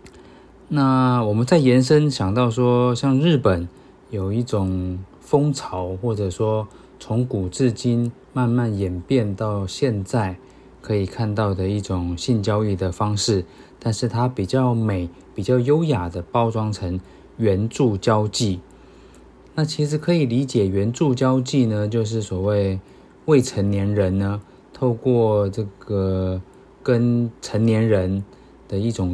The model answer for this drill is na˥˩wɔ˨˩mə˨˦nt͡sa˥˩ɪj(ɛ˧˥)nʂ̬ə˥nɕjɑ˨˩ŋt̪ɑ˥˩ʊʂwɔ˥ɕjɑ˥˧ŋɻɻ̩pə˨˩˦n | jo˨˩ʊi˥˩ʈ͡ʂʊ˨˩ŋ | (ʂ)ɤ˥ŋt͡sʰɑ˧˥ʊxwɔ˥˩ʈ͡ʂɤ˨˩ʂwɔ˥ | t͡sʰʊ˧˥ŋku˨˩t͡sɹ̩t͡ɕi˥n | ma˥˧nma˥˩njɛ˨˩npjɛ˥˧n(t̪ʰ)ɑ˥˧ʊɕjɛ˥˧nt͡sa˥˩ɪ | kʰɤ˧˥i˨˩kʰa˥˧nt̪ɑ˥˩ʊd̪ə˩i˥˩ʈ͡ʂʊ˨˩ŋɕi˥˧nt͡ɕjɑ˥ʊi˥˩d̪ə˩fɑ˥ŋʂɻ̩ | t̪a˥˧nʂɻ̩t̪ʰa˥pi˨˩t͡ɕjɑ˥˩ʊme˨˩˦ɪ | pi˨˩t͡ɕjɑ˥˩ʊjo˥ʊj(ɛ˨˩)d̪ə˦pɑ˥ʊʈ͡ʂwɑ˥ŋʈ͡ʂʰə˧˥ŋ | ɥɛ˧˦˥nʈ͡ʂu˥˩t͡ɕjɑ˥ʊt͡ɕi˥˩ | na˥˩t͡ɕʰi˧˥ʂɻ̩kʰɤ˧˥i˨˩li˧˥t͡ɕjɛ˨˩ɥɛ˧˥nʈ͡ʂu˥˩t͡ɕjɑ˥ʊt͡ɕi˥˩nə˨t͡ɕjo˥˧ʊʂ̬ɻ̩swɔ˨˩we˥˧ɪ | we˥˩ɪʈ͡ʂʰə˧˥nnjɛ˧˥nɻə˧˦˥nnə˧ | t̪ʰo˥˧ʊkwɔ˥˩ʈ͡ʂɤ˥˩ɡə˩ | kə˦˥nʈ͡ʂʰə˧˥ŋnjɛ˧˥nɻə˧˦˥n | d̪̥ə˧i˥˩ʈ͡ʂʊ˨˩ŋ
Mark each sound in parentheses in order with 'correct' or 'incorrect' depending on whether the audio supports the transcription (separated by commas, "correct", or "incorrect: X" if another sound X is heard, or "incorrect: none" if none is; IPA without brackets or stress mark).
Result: correct, incorrect: f, incorrect: t̪, incorrect: a˨˩